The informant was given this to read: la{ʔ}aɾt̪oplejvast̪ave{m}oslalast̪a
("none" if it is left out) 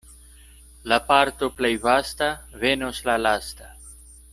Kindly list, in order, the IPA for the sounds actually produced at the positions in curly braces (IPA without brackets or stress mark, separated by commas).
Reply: p, n